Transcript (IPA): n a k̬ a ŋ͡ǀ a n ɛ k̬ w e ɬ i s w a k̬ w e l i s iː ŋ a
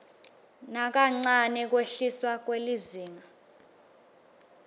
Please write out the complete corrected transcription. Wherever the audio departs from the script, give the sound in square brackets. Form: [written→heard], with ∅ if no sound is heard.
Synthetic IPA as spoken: n a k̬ a ŋ͡ǀ a n ɛ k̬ w e ɬ i s w a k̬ w e l i [s→z] iː ŋ a